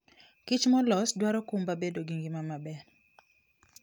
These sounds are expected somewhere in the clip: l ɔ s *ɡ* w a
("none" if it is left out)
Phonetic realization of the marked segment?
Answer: d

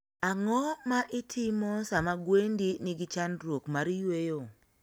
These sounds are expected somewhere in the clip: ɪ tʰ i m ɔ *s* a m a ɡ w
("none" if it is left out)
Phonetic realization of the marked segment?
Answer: s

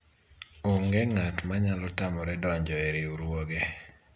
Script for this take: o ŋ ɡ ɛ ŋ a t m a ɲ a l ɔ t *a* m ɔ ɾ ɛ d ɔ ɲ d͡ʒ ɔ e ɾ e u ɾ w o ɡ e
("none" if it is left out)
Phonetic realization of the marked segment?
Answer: a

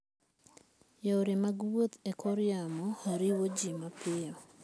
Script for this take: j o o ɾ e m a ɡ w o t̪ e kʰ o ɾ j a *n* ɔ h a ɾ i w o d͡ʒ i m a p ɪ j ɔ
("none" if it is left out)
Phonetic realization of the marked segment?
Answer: m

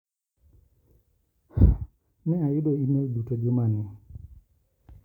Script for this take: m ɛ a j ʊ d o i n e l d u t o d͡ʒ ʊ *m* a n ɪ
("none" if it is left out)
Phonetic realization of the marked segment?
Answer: m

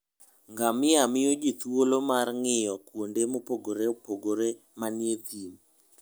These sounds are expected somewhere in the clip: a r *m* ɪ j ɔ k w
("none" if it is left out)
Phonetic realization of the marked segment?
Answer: ŋ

